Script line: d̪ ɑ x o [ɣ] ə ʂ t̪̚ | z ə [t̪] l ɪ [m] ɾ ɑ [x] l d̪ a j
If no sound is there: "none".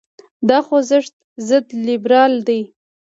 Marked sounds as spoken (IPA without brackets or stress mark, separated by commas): z, d̪, b, none